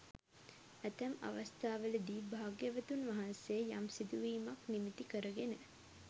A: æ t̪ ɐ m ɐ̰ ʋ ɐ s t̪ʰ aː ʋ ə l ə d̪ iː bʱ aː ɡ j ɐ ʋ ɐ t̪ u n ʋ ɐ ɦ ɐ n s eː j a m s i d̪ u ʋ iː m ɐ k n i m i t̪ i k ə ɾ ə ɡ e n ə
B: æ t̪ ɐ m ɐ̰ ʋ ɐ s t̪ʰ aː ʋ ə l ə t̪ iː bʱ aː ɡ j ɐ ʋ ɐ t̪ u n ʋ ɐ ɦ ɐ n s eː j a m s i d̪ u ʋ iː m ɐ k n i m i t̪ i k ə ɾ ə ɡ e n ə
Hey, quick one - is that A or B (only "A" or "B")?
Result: A